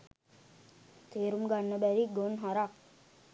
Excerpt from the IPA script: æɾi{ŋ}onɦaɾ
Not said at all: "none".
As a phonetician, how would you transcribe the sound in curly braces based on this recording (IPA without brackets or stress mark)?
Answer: ɡ